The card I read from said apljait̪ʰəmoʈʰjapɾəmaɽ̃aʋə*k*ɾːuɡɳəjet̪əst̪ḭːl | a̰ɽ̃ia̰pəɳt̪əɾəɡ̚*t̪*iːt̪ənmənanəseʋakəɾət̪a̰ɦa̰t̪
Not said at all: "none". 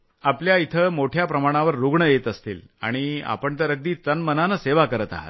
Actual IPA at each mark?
none, d̪

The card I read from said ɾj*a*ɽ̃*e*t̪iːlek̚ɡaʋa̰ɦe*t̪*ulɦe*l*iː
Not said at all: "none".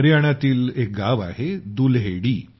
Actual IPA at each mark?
a, a, d̪, ɽ

